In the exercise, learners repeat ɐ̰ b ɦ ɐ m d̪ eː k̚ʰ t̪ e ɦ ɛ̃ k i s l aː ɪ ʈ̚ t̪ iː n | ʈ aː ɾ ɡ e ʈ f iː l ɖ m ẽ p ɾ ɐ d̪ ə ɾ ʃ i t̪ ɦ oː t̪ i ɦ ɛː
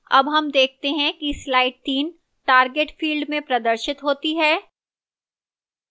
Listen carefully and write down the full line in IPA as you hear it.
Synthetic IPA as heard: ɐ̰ b ɦ ɐ m d̪ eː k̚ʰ t̪ e ɦ ɛ̃ k i s l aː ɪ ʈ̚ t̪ iː n | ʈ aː ɾ ɡ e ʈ f iː l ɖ m ẽ p ɾ ɐ d̪ ə ɾ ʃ ɪ t̪ ɦ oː t̪ i ɦ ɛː